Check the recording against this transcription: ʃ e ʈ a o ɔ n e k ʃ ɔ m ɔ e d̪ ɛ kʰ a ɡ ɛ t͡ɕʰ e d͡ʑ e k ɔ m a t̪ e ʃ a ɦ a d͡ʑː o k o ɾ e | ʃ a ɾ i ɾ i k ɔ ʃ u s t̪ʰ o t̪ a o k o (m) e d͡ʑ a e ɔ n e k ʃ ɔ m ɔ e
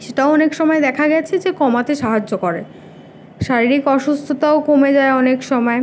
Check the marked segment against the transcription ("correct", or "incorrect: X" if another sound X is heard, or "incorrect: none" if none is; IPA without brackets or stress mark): correct